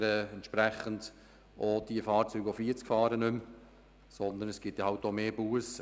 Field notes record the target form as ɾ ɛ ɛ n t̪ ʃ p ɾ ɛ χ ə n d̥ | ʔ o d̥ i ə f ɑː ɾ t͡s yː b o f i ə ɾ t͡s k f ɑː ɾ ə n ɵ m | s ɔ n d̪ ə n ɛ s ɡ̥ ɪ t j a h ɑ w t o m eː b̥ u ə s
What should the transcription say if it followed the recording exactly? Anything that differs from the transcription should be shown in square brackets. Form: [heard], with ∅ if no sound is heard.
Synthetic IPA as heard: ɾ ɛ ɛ n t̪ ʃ p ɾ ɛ χ ə n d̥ | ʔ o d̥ i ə f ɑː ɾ t͡s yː [ɡ] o f i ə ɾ t͡s k f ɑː ɾ ə n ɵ m | s ɔ n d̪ ə n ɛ s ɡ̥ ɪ t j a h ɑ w t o m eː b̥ u ə s